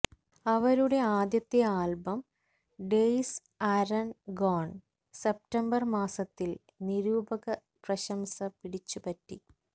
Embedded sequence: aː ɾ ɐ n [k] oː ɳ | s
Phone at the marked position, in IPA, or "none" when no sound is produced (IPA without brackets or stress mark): ɡ